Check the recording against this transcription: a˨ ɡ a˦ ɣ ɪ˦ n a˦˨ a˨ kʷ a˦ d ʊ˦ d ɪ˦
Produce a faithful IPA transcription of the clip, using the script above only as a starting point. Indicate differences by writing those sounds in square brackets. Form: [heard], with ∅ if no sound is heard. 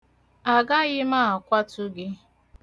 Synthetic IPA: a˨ ɡ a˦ ɣ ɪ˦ [m] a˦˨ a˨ kʷ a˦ [t] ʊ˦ [ɡ] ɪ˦